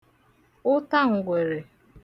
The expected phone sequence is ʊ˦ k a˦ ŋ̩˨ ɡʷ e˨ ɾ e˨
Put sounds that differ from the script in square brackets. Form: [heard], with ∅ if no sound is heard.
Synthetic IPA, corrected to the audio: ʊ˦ [t] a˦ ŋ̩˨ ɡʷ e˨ ɾ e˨